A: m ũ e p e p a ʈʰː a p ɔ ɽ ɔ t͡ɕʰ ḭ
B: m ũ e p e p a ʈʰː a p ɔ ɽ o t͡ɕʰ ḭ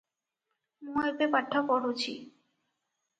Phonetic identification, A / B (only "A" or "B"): B